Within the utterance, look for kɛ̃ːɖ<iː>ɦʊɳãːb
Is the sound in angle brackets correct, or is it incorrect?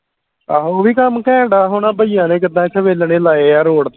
incorrect